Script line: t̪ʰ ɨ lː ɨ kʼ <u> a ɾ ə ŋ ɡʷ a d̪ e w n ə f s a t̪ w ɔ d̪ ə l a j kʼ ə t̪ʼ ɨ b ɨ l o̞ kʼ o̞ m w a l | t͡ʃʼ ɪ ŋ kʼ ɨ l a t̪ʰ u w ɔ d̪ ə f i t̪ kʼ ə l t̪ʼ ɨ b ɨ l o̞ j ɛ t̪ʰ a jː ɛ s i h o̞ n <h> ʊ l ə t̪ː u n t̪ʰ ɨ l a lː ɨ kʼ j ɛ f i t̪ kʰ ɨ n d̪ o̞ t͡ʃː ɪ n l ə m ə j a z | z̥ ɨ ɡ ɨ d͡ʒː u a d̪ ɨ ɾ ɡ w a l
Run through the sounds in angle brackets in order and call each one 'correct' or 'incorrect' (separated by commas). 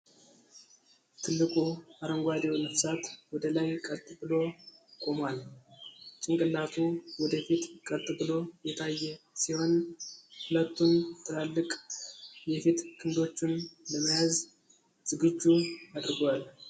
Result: correct, correct